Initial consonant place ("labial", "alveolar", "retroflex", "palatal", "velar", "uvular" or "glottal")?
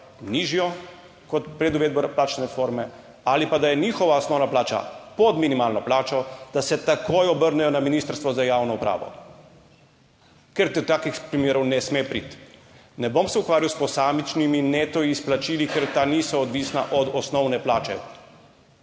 alveolar